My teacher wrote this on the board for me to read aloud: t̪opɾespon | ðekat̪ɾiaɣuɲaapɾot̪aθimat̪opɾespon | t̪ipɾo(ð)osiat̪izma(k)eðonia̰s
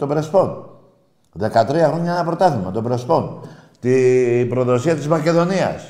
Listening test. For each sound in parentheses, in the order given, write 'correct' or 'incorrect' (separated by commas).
correct, correct